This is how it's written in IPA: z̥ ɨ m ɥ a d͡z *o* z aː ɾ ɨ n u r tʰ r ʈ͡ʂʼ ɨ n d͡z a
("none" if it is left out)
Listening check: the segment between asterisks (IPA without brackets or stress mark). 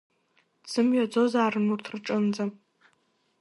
o